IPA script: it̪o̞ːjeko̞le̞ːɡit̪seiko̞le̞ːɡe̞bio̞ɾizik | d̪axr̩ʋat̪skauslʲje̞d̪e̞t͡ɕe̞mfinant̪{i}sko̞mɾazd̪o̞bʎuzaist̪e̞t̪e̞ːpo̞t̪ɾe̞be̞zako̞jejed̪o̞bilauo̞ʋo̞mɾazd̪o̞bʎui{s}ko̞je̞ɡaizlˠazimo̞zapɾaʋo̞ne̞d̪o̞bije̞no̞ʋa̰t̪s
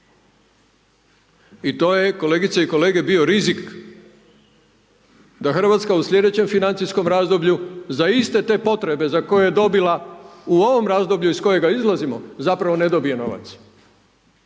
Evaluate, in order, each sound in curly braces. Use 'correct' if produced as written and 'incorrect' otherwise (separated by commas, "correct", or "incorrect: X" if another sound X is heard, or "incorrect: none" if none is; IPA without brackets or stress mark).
correct, correct